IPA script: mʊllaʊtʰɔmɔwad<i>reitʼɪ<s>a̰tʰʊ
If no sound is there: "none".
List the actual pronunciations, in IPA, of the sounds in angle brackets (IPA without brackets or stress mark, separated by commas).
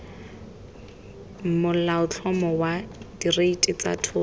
i, t͡s